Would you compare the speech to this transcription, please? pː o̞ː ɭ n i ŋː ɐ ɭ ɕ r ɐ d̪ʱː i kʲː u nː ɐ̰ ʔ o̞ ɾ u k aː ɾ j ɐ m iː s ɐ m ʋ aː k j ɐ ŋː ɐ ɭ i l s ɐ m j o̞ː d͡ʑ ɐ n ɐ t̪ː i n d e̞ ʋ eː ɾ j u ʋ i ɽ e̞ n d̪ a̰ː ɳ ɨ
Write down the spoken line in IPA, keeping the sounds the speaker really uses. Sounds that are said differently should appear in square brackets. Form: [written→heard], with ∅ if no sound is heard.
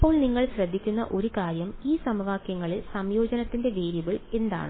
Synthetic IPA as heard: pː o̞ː ɭ n i ŋː ɐ ɭ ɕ r ɐ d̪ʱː i kʲː u nː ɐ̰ ʔ o̞ ɾ u k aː ɾ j ɐ m iː s ɐ m ʋ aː k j ɐ ŋː ɐ ɭ i l s ɐ m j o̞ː d͡ʑ ɐ n ɐ t̪ː i n d e̞ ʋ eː ɾ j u ʋ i [ɽ→ɭ] e̞ n d̪ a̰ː ɳ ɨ